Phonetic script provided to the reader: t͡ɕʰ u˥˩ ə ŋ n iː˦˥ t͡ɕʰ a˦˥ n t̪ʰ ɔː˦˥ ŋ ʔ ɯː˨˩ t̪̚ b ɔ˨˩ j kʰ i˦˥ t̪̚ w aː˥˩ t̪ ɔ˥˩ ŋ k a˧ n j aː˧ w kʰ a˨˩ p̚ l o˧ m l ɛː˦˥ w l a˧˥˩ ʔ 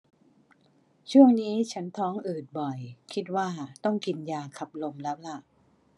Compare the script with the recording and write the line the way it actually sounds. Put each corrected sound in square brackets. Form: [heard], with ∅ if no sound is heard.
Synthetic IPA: t͡ɕʰ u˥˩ ə ŋ n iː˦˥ t͡ɕʰ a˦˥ n t̪ʰ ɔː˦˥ ŋ ʔ ɯː˨˩ t̪̚ b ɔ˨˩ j kʰ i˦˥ t̪̚ w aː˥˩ t̪ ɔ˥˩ ŋ k [i˧] n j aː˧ [∅] kʰ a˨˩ p̚ l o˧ m l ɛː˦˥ w l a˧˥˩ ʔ

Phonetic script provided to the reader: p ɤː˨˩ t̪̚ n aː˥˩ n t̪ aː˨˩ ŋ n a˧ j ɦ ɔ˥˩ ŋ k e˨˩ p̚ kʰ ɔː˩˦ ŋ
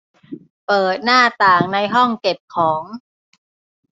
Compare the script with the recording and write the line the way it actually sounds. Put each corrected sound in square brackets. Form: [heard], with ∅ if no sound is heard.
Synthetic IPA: p ɤː˨˩ t̪̚ n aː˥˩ [∅] t̪ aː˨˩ ŋ n a˧ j ɦ ɔ˥˩ ŋ k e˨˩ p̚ kʰ ɔː˩˦ ŋ

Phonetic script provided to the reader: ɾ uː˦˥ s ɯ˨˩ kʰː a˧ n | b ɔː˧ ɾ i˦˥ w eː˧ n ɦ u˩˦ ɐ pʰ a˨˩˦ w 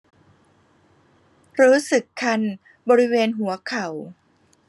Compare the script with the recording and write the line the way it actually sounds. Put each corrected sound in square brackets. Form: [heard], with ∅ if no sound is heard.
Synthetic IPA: ɾ uː˦˥ s ɯ˨˩ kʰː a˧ n | b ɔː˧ ɾ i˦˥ w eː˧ n ɦ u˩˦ ɐ [kʰ] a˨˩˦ w

